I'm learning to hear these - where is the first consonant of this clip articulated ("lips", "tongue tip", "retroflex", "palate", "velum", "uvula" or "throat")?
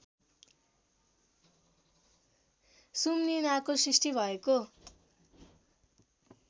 tongue tip